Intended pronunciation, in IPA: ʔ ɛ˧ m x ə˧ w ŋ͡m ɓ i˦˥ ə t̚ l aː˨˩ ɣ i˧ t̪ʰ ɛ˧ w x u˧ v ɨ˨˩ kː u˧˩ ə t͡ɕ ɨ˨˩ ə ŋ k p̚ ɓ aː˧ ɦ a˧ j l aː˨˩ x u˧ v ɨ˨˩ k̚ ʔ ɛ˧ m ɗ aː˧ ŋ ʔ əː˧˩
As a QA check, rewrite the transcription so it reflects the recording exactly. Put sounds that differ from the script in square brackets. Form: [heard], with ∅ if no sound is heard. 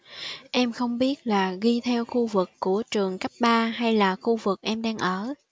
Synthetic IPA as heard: ʔ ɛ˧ m x ə˧ w ŋ͡m ɓ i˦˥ ə t̚ l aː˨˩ ɣ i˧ t̪ʰ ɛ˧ w x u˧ v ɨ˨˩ kː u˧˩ ə t͡ɕ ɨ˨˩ ə ŋ k p̚ ɓ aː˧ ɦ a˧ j l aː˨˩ x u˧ v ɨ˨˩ k̚ ʔ ɛ˧ m ɗ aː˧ ŋ ʔ əː˧˩